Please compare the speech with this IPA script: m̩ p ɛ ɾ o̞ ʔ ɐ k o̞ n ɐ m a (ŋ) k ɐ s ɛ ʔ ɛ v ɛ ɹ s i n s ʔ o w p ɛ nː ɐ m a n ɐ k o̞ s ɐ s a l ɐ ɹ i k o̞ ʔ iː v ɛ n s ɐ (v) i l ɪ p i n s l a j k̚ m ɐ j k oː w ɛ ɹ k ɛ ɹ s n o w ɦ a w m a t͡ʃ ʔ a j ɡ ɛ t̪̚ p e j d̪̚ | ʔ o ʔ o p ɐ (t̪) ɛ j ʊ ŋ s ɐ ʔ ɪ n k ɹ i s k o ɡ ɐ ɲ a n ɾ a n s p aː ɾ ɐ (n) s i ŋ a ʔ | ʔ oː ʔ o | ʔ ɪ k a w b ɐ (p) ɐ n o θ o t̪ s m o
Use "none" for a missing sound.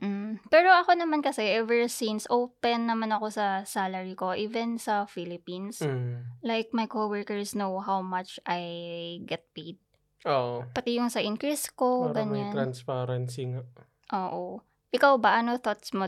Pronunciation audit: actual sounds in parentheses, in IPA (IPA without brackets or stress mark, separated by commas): n, f, t̪, n, ʔ